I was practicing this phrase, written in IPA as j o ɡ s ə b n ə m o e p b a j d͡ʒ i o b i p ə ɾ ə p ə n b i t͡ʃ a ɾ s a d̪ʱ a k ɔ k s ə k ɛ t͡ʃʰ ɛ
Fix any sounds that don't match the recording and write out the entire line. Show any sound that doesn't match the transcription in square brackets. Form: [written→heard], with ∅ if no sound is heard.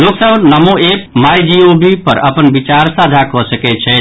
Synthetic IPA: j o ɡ s ə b n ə m o e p [b→m] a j d͡ʒ i o b i p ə ɾ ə p ə n b i t͡ʃ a ɾ s a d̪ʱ a k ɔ [k→∅] s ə k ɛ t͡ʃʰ ɛ

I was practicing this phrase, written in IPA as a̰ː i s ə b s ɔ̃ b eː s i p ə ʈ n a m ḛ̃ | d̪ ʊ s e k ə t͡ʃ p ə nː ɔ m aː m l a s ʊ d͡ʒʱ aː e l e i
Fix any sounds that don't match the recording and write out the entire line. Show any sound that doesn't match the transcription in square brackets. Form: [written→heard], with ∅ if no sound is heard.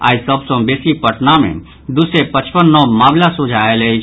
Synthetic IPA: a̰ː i s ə b s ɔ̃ b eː s i p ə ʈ n a m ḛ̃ | d̪ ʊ s e [k→p] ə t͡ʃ p ə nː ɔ m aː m l a s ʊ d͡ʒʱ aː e l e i

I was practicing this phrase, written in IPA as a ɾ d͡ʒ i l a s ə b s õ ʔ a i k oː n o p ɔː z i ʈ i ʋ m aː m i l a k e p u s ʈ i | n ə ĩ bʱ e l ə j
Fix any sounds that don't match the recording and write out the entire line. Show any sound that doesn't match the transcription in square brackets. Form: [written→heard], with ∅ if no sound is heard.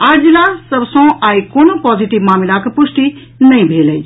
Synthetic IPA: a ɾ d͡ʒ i l a s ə b s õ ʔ a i k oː n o p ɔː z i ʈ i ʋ m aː m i l a k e p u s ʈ i | n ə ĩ bʱ e l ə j

